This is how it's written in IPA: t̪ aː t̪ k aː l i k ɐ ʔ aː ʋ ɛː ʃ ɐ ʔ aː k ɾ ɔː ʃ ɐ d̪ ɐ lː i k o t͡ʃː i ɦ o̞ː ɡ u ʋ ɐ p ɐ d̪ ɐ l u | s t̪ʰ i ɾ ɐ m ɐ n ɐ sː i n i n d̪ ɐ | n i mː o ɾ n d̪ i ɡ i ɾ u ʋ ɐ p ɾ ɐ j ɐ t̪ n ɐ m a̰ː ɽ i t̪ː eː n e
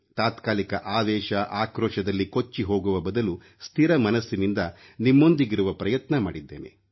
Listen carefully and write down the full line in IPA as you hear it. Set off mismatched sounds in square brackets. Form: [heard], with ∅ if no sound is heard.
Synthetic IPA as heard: t̪ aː t̪ k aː l i k ɐ ʔ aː ʋ ɛː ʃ ɐ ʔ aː k ɾ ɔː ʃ ɐ d̪ ɐ lː i k o t͡ʃː i ɦ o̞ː ɡ u ʋ ɐ [b] ɐ d̪ ɐ l u | s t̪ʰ i ɾ ɐ m ɐ n ɐ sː i n i n d̪ ɐ | n i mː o [∅] n d̪ i ɡ i ɾ u ʋ ɐ p ɾ ɐ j ɐ t̪ n ɐ m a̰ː ɽ i [d̪ː] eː n e